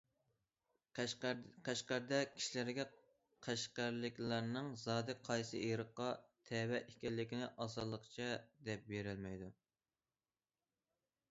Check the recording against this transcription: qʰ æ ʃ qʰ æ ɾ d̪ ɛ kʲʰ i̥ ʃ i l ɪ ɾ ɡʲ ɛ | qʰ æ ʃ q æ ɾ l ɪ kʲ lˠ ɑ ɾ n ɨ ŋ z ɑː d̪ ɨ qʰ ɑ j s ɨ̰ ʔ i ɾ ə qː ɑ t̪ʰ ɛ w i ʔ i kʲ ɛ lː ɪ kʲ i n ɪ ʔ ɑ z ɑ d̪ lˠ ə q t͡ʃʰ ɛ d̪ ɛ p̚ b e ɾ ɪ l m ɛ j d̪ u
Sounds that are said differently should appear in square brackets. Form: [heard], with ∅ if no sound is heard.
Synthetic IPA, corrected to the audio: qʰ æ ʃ [q] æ ɾ d̪ ɛ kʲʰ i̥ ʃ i l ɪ ɾ ɡʲ ɛ | qʰ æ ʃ q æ ɾ l ɪ kʲ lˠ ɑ ɾ n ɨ ŋ z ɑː d̪ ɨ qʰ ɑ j s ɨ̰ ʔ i ɾ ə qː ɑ t̪ʰ ɛ w [ɛ] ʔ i kʲ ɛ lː ɪ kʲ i n ɪ ʔ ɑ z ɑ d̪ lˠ ə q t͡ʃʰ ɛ d̪ ɛ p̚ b e ɾ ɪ l m ɛ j d̪ u